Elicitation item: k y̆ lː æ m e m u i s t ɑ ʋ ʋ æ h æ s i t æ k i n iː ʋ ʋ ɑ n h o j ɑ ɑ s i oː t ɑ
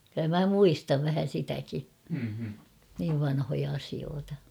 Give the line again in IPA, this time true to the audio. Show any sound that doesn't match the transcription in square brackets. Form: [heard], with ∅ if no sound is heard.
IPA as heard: k y̆ lː æ m [æ] m u i s t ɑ ʋ ʋ æ h æ s i t æ k i n iː ʋ ʋ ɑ n h o j ɑ ɑ s i oː t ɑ